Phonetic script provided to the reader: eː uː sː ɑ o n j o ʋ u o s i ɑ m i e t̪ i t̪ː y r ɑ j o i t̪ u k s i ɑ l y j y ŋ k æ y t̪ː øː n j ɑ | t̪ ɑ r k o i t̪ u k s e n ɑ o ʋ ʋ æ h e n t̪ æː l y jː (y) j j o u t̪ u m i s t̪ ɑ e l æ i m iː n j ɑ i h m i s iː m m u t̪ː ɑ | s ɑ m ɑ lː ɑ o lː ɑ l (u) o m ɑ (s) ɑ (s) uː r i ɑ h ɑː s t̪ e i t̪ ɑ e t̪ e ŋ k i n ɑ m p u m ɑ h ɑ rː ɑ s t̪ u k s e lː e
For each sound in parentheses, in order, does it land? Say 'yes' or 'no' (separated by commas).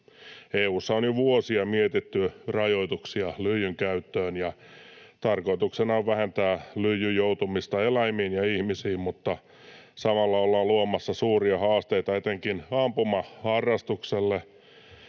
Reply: yes, yes, no, yes